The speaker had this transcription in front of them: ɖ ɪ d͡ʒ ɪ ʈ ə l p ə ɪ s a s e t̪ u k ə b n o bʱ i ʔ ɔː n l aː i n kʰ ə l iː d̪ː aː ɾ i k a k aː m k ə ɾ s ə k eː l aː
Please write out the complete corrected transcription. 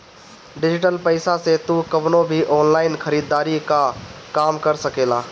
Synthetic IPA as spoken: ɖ ɪ d͡ʒ ɪ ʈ ə l p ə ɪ s a s e t̪ u k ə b n o bʱ i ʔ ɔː n l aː ɪ n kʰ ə ɾ iː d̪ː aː ɾ i k a k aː m k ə ɾ s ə k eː l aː